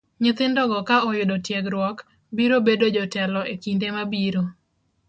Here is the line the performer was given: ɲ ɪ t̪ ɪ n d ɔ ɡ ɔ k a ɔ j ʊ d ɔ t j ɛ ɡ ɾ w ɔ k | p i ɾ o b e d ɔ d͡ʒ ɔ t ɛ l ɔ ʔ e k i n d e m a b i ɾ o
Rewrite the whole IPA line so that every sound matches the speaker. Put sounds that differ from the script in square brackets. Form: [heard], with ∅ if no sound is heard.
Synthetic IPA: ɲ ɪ t̪ ɪ n d ɔ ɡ ɔ k a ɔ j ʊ d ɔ t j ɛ ɡ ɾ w ɔ k | [b] i ɾ o b e d [o] d͡ʒ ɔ t ɛ l ɔ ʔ e k i n d e m a b i ɾ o